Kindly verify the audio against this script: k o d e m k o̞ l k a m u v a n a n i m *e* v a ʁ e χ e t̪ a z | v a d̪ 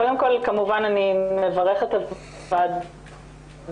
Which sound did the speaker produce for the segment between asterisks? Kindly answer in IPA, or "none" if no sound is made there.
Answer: e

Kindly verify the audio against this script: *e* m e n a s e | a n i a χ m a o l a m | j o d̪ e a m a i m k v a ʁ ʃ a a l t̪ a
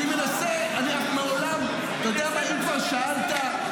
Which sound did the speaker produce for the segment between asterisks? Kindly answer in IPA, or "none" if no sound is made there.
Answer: i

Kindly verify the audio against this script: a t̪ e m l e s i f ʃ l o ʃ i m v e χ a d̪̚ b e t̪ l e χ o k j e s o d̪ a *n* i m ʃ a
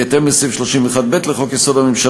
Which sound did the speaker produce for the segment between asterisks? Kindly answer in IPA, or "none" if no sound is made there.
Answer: m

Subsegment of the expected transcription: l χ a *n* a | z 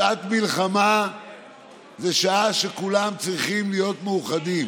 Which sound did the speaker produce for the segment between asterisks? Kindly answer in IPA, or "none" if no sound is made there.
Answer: m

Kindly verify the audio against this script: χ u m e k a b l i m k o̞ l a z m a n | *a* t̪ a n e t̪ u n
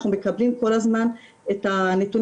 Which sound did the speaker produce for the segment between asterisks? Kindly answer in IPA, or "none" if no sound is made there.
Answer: e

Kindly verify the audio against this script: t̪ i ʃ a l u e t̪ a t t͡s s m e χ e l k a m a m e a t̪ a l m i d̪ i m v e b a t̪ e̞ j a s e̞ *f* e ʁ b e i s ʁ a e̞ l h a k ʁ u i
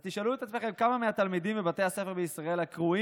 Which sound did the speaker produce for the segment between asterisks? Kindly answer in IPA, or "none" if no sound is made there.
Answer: f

